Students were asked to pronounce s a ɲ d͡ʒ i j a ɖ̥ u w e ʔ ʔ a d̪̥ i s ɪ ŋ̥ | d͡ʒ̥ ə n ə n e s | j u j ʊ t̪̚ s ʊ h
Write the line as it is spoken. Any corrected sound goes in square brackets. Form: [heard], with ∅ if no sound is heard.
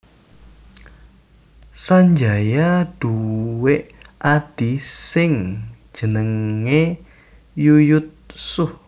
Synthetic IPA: s a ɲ d͡ʒ [a] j a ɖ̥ u w e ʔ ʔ a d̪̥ i s ɪ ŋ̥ | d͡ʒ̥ ə n ə [ŋ] e [∅] | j u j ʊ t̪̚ s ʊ h